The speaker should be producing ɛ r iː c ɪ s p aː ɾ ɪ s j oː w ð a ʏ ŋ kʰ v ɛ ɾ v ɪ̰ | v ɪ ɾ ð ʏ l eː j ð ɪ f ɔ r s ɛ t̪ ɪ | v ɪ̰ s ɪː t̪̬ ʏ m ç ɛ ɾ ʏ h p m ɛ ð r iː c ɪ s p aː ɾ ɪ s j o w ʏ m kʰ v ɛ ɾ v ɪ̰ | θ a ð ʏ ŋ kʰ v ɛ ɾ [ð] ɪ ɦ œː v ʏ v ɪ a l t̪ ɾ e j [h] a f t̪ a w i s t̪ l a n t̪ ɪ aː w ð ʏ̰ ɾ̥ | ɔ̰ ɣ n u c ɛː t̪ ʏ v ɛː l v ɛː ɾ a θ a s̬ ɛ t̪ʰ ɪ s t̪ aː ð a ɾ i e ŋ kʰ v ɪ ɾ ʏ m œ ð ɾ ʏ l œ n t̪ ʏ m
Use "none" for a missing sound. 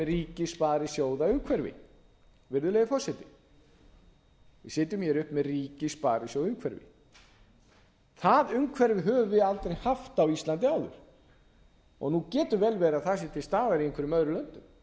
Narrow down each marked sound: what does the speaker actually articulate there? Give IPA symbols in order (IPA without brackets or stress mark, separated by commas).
v, h